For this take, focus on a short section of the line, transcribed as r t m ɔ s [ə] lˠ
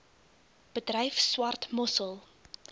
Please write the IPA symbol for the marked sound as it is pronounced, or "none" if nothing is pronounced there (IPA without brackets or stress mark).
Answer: ə